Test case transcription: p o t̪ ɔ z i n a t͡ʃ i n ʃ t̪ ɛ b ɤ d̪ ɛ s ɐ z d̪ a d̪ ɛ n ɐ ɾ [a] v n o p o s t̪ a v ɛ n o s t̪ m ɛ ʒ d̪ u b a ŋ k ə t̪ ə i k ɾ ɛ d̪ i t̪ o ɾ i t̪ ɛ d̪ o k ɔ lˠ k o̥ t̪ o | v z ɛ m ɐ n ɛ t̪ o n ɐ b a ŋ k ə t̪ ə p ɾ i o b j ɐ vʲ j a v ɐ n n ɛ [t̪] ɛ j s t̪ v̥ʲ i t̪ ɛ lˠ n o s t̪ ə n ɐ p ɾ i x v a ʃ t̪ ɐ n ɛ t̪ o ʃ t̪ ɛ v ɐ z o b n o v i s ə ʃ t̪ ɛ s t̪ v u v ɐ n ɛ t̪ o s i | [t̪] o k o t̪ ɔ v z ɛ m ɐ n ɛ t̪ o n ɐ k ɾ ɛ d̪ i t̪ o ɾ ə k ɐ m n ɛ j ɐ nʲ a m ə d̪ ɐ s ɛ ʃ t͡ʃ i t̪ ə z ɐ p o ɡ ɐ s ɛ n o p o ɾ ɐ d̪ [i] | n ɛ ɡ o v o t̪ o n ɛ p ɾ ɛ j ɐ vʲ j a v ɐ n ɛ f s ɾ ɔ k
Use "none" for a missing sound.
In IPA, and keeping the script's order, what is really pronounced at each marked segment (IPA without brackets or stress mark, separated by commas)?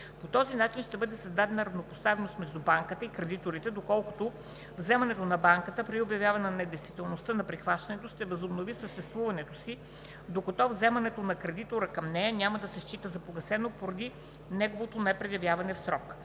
ɐ, d̪, d̪, i